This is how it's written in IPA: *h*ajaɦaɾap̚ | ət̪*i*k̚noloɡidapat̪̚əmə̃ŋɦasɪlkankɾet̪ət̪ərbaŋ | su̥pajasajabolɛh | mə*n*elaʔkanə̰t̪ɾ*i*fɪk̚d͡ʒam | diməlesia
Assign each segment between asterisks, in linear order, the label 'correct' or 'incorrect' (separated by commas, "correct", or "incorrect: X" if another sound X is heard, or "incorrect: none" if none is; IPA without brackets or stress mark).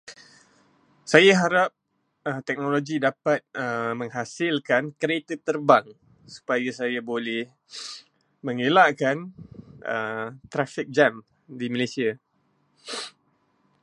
incorrect: s, incorrect: ɛ, incorrect: ŋ, incorrect: a